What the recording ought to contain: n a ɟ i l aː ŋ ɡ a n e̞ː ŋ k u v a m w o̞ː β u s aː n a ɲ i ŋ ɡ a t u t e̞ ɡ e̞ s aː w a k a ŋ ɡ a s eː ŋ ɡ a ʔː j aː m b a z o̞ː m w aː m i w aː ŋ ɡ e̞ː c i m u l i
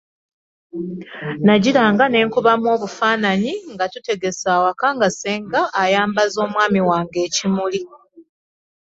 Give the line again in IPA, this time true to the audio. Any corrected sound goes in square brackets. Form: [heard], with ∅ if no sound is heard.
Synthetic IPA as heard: n a ɟ i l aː ŋ ɡ a n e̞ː ŋ k u [β] a m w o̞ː β u [f] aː n a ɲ i ŋ ɡ a t u t e̞ ɡ e̞ s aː w a k a ŋ ɡ a s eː ŋ ɡ a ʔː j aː m b a z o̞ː m w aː m i w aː ŋ ɡ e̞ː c i m u l i